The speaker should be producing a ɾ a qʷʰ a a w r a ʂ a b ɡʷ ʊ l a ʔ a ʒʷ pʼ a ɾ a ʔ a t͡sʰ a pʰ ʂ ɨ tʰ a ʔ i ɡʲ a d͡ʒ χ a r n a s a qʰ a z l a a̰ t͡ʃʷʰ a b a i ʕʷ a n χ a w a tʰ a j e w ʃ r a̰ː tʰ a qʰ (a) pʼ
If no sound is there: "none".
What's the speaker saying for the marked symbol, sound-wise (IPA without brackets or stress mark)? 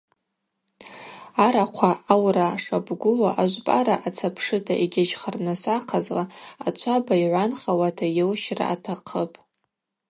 ə